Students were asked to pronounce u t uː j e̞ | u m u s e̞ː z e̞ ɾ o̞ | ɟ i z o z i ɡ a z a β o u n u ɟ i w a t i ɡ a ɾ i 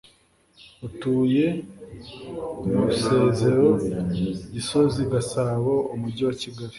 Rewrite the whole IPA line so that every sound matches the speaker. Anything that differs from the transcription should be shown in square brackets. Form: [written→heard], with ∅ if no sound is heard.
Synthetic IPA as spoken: u t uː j e̞ | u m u s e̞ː z e̞ ɾ o̞ | ɟ i [z→s] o z i ɡ a [z→s] a β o u [n→m] u ɟ i w a [t→c] i ɡ a ɾ i